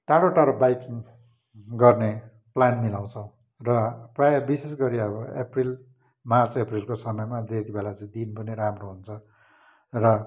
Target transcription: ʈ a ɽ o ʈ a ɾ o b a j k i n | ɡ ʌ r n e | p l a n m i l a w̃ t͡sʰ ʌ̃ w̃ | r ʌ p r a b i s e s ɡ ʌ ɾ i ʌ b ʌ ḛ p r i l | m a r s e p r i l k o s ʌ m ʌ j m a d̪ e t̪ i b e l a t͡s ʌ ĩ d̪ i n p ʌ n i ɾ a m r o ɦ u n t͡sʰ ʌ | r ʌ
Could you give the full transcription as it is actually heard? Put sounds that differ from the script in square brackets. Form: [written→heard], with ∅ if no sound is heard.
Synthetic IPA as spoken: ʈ a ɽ o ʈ a ɾ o b a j k i [n→ŋ] | ɡ ʌ r n e | p l a n m i l a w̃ t͡sʰ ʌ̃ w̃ | r ʌ p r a b i s e s ɡ ʌ ɾ i ʌ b ʌ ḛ p r i l | m a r [s→t͡s] e p r i l k o s ʌ m ʌ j m a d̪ e t̪ i b e l a t͡s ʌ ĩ d̪ i n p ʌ n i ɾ a m r o ɦ u n t͡sʰ ʌ | r ʌ